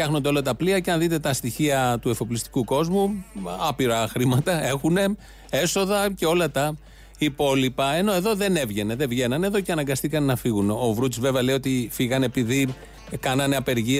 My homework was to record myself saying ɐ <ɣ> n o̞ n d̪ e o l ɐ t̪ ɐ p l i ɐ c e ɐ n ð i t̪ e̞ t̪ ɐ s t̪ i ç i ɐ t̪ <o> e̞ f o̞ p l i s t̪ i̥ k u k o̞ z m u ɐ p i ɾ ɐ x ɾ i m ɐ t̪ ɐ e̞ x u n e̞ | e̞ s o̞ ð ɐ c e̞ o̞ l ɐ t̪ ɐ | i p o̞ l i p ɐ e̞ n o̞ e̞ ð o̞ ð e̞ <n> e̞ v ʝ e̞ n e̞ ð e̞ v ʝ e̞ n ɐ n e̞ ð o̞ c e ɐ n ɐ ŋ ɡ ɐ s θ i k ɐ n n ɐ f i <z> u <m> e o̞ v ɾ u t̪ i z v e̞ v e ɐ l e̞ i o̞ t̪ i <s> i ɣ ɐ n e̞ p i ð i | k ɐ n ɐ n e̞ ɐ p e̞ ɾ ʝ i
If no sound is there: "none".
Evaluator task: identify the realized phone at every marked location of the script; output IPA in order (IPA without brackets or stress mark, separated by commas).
x, u, n, ɣ, n, f